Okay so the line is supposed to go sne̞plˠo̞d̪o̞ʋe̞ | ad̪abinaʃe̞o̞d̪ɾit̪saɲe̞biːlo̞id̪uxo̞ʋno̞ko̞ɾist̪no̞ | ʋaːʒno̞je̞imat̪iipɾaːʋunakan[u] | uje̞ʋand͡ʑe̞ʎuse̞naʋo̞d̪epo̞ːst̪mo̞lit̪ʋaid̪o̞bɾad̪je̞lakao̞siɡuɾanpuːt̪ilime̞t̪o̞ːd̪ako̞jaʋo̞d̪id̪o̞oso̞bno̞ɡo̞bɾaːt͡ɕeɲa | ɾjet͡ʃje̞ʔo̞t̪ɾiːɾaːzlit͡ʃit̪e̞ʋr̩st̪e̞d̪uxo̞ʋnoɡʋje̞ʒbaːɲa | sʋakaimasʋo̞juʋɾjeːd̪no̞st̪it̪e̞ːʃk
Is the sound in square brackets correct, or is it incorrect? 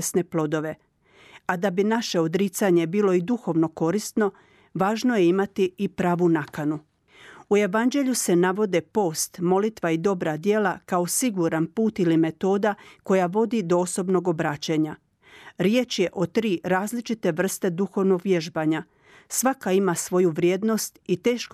correct